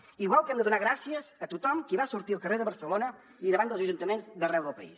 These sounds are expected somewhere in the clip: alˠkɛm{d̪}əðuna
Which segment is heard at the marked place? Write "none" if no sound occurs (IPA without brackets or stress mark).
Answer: d̪